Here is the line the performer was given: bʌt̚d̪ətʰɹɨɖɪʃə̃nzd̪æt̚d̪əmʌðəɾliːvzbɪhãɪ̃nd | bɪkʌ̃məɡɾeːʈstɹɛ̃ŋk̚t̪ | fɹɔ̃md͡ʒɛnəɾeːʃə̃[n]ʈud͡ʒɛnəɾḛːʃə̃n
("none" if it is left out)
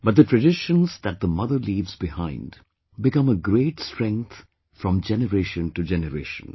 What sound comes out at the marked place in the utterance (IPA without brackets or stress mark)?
n